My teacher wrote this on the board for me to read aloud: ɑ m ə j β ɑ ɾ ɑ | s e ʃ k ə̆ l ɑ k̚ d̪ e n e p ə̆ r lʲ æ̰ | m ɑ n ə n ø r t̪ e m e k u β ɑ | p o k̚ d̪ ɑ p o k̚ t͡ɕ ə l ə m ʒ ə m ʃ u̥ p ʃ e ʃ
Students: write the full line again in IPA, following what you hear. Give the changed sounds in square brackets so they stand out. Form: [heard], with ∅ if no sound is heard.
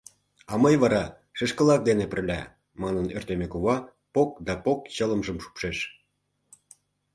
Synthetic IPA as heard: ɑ m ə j β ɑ ɾ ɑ | [ʃ] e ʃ k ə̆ l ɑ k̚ d̪ e n e p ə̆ r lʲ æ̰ | m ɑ n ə n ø r t̪ e m e k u β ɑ | p o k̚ d̪ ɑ p o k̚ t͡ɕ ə l ə m ʒ ə m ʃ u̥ p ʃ e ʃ